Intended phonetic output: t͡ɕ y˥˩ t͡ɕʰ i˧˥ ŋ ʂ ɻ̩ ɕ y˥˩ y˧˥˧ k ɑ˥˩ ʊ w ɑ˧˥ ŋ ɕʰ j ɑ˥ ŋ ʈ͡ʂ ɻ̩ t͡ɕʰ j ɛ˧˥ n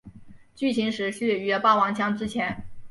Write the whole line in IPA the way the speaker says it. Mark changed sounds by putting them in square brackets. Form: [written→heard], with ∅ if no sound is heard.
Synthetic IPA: t͡ɕ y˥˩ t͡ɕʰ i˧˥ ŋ ʂ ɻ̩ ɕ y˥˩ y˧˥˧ [k→p] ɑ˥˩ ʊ w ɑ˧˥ ŋ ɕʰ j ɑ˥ ŋ ʈ͡ʂ ɻ̩ t͡ɕʰ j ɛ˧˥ n